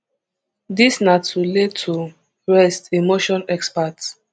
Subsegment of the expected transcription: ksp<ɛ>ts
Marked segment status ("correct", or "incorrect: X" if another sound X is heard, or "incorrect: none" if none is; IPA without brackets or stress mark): incorrect: a